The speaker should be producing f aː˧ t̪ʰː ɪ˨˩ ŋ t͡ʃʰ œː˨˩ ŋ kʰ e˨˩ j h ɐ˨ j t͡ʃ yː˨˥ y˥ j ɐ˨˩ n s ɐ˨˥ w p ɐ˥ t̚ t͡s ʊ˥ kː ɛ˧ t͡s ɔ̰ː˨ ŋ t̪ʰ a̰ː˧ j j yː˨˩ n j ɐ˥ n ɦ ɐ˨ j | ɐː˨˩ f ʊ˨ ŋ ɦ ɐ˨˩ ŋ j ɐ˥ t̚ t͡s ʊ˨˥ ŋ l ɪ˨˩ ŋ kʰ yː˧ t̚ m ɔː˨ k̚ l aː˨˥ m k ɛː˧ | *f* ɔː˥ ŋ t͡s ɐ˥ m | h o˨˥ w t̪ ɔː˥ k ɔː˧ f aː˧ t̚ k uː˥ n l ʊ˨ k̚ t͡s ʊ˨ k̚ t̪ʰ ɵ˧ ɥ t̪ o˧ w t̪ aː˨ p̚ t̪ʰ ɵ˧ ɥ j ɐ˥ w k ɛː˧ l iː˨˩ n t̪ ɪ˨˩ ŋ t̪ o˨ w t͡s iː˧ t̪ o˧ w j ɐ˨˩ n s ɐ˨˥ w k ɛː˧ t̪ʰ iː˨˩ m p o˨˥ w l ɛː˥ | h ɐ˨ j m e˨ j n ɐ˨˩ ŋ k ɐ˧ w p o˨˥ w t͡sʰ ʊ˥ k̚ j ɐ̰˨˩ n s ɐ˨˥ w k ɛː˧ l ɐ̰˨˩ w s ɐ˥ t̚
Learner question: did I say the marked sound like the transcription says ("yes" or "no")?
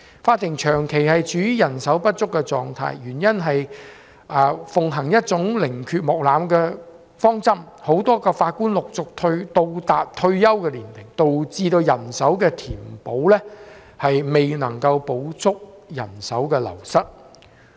yes